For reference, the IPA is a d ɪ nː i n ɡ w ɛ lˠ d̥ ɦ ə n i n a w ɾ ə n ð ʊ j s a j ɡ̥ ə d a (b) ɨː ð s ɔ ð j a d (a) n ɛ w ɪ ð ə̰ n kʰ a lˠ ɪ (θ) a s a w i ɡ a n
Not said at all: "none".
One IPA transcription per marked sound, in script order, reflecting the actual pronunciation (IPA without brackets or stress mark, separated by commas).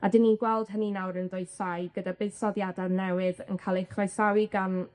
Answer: b, a, χ